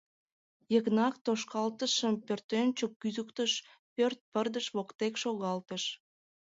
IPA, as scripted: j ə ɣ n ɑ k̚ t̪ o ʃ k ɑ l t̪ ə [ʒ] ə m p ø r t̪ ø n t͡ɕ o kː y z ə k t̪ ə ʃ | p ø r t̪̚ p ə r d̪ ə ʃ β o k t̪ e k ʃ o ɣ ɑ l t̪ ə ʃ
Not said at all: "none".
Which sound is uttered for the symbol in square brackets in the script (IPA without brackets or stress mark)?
ʃ